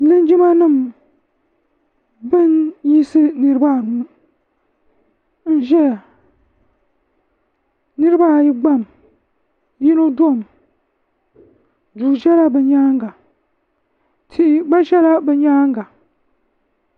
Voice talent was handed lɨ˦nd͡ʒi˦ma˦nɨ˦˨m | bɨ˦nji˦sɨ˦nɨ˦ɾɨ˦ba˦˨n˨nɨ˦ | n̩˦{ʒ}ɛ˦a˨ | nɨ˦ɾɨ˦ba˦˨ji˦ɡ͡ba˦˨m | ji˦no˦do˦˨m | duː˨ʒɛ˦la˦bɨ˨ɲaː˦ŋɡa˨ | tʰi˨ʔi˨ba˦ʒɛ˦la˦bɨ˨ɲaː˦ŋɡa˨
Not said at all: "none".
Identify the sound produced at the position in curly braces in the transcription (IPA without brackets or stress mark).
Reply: ʒ